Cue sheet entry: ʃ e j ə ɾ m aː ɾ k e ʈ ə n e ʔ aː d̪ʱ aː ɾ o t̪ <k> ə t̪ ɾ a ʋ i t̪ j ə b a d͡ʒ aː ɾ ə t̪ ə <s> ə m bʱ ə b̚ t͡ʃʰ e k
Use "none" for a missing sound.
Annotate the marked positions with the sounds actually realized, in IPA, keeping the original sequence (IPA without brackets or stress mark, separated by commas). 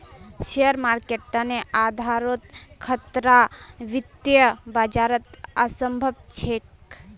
kʰ, s